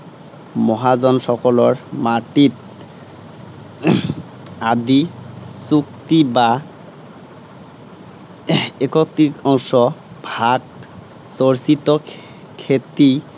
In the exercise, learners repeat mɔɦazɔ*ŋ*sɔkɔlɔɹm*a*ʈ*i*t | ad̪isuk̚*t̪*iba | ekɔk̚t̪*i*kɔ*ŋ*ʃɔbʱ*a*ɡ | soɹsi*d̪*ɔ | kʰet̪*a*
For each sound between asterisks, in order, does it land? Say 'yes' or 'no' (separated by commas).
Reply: no, yes, yes, yes, yes, yes, yes, no, no